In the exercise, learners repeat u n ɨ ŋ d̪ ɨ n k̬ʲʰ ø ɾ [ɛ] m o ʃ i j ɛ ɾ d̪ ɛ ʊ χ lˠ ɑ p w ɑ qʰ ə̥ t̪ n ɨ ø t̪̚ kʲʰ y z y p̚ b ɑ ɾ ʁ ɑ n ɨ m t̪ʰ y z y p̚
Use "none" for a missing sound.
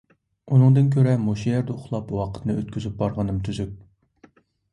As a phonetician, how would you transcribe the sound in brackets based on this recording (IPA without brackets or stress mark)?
ɛ